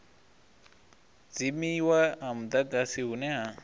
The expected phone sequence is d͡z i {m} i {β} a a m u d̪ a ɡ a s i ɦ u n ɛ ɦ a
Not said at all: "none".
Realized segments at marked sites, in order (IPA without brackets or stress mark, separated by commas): m, w